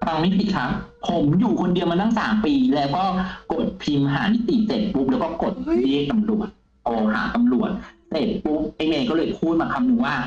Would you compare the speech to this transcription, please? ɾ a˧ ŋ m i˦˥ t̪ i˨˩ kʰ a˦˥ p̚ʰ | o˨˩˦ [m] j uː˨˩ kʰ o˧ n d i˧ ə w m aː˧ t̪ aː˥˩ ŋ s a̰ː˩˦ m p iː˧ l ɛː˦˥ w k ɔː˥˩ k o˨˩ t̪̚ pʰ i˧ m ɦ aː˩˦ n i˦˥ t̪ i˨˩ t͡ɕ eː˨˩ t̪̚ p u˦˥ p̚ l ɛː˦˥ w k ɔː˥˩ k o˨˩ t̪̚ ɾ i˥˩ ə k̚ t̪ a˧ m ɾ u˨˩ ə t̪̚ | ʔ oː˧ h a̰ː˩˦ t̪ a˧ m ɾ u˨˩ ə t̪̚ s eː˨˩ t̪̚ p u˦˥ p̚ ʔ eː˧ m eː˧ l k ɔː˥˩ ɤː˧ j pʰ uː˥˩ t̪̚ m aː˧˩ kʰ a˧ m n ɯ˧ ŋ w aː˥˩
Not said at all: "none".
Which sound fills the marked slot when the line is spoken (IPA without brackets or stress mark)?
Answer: m